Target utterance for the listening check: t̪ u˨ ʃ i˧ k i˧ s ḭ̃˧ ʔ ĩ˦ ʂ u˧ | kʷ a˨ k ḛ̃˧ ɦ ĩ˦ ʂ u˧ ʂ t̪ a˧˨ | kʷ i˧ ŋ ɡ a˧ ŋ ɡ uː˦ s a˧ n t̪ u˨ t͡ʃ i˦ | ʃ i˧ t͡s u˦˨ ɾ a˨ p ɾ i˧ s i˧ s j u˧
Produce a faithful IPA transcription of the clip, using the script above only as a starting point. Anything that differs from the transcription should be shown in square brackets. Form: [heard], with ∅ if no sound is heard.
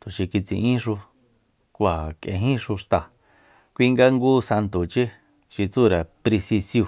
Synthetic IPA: t̪ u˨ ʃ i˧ k i˧ [t͡s] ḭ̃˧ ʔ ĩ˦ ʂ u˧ | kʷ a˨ k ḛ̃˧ ɦ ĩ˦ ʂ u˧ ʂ t̪ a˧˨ | kʷ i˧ ŋ ɡ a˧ ŋ ɡ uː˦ s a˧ n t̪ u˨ t͡ʃ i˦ | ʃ i˧ t͡s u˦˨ ɾ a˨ p ɾ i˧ s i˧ s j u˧